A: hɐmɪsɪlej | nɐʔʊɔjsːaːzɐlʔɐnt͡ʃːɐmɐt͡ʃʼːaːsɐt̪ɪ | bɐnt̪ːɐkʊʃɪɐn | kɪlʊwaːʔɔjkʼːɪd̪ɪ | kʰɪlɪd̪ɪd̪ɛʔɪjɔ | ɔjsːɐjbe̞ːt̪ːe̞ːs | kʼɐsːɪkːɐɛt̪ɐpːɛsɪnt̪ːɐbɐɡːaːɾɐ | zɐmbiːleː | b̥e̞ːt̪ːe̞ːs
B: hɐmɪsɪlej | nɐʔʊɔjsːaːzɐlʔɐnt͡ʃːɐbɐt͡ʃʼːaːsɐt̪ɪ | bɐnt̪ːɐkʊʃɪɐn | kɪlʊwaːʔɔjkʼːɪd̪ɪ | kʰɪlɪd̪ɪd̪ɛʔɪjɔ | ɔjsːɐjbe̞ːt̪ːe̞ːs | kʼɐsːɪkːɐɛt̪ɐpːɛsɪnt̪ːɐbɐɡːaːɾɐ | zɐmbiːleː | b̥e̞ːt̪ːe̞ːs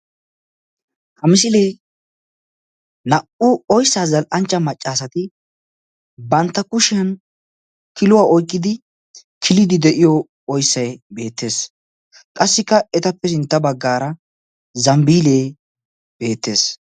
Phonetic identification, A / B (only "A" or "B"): A